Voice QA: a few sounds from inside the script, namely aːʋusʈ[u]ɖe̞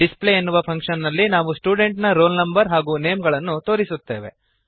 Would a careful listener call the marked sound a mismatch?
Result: yes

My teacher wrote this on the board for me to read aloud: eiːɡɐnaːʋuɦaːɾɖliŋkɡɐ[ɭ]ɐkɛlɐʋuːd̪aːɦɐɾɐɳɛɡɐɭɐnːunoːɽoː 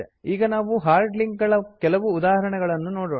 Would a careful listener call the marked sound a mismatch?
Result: no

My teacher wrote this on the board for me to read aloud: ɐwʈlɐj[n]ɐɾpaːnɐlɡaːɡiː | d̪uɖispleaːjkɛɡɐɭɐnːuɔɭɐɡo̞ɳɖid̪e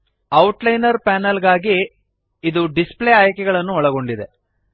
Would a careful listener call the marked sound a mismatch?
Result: no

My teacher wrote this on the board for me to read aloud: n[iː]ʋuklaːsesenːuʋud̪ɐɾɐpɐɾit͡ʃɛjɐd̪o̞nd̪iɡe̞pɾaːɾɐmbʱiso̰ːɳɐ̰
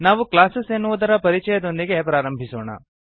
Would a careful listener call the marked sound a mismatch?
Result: yes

